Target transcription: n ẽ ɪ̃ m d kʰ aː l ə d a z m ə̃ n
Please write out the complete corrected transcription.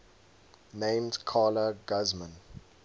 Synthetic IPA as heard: n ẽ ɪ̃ m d kʰ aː l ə ɡ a z m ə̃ n